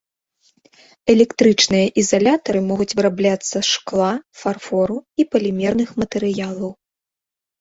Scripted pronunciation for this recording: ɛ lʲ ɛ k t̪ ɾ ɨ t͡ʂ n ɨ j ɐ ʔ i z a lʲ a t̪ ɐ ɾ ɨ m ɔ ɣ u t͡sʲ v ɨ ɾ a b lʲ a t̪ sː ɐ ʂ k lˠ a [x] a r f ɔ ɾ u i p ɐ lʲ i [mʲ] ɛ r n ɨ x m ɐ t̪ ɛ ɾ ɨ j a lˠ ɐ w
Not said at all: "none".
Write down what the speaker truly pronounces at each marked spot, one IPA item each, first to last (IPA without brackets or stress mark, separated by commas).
f, mʲ